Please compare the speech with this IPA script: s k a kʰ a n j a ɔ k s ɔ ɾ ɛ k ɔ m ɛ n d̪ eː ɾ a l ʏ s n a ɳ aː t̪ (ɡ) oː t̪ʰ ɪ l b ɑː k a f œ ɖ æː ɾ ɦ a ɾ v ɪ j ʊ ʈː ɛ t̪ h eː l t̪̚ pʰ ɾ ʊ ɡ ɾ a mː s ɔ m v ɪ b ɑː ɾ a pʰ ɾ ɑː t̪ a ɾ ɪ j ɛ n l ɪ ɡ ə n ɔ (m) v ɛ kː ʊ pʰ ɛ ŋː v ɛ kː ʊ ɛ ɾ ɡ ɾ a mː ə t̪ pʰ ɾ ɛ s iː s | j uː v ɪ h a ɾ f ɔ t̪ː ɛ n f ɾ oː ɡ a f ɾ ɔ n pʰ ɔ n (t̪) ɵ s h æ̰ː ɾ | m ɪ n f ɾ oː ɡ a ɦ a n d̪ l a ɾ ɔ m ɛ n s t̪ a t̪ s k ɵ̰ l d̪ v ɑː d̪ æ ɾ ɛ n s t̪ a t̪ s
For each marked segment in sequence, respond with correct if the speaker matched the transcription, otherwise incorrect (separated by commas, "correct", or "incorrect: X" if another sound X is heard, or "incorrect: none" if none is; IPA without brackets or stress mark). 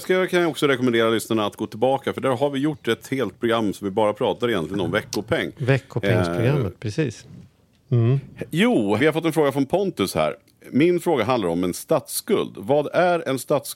correct, correct, correct